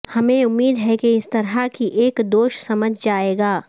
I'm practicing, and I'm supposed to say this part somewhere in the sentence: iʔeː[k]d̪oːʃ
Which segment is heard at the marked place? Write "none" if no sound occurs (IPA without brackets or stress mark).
k